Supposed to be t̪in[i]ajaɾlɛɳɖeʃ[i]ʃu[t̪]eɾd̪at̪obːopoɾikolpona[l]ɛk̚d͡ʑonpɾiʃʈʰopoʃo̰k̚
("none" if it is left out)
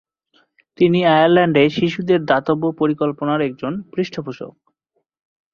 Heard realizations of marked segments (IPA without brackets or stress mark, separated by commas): i, i, d̪, ɾ